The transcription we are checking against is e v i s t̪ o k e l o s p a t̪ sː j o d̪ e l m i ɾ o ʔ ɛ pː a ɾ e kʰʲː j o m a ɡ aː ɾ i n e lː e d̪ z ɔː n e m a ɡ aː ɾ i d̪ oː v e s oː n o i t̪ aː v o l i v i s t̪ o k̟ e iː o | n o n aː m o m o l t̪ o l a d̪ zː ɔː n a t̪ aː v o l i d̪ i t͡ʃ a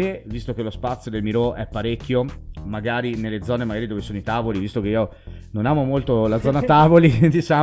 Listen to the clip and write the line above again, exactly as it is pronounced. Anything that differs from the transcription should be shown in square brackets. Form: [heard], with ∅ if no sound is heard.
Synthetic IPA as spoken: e v i s t̪ o k e l o s p a t̪ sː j o d̪ e l m i ɾ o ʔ ɛ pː a ɾ e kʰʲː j o m a ɡ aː ɾ i n e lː e d̪ z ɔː n e m a ɡ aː ɾ i d̪ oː v e s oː n o i t̪ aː v o l i v i s t̪ o k̟ e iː o | n o n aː m o m o l t̪ o l a d̪ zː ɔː n a t̪ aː v o l i d̪ i t͡ʃ a